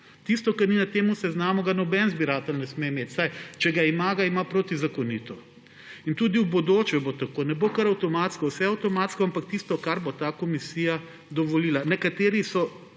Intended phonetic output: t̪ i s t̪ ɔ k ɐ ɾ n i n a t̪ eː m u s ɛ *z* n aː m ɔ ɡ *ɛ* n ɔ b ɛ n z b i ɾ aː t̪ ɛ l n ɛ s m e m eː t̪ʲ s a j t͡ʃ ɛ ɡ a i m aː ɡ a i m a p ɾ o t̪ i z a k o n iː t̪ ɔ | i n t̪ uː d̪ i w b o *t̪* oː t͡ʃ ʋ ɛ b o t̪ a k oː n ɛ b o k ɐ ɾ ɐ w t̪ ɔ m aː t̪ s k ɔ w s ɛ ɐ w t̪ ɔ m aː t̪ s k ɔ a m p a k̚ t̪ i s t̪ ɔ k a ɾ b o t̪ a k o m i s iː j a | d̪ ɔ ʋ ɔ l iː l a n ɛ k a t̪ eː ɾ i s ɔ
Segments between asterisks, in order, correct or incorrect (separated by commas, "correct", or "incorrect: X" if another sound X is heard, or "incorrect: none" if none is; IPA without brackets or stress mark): correct, incorrect: a, incorrect: d̪